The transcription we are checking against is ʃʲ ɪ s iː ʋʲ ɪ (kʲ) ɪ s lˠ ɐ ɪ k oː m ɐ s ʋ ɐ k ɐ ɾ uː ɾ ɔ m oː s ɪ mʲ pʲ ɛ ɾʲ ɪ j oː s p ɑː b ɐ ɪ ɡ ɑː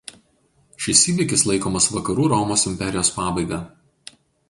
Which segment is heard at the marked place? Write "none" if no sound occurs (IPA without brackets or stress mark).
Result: kʲ